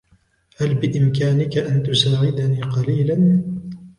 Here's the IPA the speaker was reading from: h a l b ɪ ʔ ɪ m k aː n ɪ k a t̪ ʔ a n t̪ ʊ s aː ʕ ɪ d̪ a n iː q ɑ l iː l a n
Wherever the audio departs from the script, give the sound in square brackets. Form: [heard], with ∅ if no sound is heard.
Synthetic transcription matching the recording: h a l b ɪ ʔ ɪ m k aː n ɪ k a [∅] ʔ a n t̪ ʊ s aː ʕ ɪ d̪ a n iː q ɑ l iː l a n